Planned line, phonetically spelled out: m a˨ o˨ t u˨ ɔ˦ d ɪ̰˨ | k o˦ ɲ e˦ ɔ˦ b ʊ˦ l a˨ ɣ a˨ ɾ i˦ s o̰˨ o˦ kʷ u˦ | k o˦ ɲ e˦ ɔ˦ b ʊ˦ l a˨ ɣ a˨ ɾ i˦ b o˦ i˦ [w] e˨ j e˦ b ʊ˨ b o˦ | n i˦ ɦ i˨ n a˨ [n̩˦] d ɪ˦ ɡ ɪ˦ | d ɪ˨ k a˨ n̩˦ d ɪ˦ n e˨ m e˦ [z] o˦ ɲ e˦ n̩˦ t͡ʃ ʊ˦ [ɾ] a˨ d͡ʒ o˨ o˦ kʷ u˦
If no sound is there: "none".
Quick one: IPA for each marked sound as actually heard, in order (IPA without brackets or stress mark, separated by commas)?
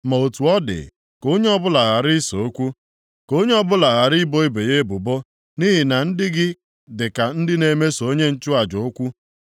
b, n̩˦, s, none